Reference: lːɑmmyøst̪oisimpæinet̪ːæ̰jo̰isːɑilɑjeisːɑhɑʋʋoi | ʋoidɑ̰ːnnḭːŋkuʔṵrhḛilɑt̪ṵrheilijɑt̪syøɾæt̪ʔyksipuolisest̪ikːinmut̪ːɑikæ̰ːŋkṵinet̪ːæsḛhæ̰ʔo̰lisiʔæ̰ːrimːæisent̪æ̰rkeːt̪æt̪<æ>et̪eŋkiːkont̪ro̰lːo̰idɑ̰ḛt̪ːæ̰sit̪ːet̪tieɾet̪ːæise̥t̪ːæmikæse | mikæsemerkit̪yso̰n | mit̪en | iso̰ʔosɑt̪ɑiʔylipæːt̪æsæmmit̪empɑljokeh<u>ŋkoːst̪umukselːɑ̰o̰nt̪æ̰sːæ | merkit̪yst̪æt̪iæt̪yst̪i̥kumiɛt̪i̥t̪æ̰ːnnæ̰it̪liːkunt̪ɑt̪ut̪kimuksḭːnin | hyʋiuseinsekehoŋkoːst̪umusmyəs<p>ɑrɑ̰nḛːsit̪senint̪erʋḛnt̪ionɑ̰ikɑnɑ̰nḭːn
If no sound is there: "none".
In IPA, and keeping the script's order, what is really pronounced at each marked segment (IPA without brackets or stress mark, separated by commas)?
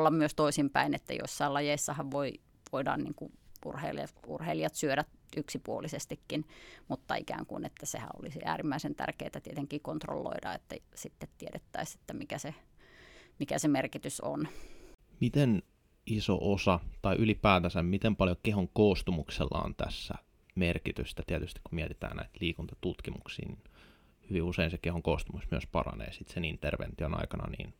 i, o, p